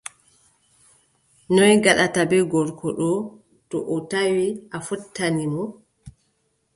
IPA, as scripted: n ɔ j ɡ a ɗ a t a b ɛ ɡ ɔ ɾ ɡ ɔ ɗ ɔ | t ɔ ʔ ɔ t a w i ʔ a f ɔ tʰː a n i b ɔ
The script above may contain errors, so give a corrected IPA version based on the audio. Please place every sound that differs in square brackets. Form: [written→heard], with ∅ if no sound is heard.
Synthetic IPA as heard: n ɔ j ɡ a ɗ a t a b ɛ ɡ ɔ ɾ [ɡ→k] ɔ ɗ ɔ | t ɔ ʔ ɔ t a w i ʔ a f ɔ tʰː a n i [b→m] ɔ

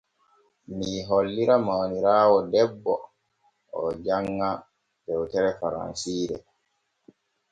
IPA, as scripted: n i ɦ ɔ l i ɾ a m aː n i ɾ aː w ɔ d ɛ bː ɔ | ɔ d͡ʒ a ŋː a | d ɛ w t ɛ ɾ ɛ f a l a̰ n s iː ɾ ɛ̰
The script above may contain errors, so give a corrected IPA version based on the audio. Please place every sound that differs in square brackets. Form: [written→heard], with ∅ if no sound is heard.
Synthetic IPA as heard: [n→m] i ɦ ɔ [l→lː] i ɾ a m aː n i ɾ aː w ɔ d ɛ bː ɔ | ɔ d͡ʒ a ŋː a | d ɛ w t ɛ ɾ ɛ f a [l→ɾ] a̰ n s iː ɾ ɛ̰

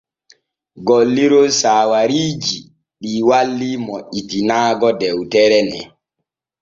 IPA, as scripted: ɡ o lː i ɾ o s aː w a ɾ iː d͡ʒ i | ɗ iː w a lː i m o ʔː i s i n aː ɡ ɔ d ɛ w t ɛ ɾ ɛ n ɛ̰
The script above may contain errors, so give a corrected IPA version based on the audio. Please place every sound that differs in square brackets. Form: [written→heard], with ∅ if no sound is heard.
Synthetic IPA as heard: ɡ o lː i ɾ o s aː w a ɾ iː d͡ʒ i | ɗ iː w a lː i m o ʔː i [s→t] i n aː ɡ ɔ d ɛ w t ɛ ɾ ɛ n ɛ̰

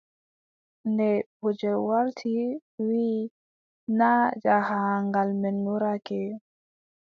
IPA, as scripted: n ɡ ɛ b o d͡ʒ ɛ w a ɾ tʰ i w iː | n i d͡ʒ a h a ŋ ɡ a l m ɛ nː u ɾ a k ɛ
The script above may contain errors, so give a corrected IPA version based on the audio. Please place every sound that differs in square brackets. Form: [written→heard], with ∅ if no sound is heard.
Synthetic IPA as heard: n [ɡ→d] ɛ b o d͡ʒ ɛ w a ɾ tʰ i w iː | n [i→a] d͡ʒ a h a ŋ ɡ a l m ɛ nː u ɾ a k ɛ

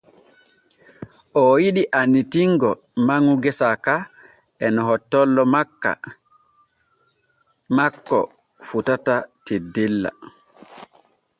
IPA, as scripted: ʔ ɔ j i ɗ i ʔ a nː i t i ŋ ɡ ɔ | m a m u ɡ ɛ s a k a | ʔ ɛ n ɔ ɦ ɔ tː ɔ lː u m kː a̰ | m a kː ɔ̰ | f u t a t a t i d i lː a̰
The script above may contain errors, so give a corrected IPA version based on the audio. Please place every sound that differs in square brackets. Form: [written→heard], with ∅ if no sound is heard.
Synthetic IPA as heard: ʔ ɔ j i ɗ i ʔ a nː i t i ŋ ɡ ɔ | m a [m→ŋ] u ɡ ɛ s a k a | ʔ ɛ n ɔ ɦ ɔ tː ɔ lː [u→ɔ] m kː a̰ | m a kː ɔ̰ | f u t a t a t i d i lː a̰

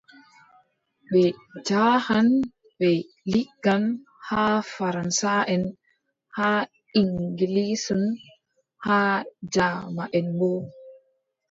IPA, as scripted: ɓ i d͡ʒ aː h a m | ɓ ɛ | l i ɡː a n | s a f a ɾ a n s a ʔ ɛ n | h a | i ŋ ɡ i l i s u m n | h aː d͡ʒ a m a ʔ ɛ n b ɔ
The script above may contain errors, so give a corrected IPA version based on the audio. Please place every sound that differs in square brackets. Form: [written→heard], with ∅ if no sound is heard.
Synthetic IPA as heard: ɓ [i→ɛ] d͡ʒ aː h a [m→n] | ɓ ɛ | l i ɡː a n | [s→h] a f a ɾ a n s a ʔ ɛ n | h a | i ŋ ɡ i l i s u [m→∅] n | h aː d͡ʒ a m a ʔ ɛ n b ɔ

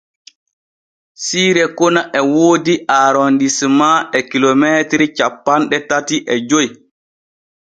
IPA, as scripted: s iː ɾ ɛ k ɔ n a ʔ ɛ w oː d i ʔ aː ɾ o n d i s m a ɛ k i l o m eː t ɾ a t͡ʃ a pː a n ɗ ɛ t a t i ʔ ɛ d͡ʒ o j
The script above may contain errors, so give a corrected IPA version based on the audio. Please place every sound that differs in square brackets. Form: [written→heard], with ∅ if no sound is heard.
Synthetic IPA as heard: s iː ɾ ɛ k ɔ n a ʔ ɛ w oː d i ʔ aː ɾ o n d i s m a ɛ k i l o m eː t ɾ [a→i] t͡ʃ a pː a n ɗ ɛ t a t i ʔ ɛ d͡ʒ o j

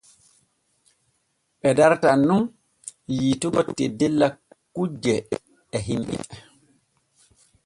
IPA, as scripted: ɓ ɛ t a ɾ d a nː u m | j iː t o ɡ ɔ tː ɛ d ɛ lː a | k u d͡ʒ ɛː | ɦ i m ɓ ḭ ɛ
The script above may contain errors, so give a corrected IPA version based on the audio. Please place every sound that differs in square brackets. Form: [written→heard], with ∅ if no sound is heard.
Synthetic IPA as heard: ɓ ɛ [t→d] a ɾ [d→t] a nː u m | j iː t [o→u] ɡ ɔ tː ɛ d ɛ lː a | k u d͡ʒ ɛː | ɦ i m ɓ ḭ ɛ

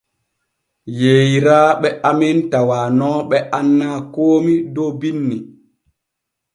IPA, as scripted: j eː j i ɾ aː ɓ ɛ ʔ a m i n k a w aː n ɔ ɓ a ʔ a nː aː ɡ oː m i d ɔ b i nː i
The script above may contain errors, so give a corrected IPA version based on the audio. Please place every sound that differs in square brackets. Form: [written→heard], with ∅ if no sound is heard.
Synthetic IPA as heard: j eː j i ɾ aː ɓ ɛ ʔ a m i n [k→t] a w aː n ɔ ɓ [a→ɛ] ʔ a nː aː [ɡ→k] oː m i d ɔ b i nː i

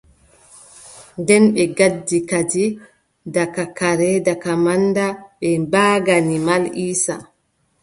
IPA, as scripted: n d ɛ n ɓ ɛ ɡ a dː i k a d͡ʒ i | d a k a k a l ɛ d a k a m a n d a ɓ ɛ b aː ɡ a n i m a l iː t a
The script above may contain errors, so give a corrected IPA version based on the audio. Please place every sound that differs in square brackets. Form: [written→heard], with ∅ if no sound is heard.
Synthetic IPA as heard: n d ɛ n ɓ ɛ ɡ a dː i k a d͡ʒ i | d a k a k a [l→ɾ] ɛ d a k a m a n d a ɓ ɛ b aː ɡ a n i m a l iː [t→s] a

